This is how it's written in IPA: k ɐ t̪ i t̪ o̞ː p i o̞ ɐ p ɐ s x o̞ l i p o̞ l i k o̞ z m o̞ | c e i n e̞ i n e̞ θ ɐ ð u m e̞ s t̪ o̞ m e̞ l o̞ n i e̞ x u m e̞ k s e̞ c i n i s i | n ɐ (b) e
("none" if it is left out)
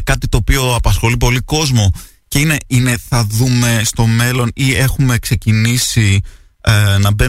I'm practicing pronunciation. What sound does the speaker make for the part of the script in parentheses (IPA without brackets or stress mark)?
b